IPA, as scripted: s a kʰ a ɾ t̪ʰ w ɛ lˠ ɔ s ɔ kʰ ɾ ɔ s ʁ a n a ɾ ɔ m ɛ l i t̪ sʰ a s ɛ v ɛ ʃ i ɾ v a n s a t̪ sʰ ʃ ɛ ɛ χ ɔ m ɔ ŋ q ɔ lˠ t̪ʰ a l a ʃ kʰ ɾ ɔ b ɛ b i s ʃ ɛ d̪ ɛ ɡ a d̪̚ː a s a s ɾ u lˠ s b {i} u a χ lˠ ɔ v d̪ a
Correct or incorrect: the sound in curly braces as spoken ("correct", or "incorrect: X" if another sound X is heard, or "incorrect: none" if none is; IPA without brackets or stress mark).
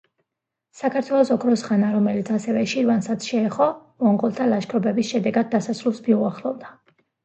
correct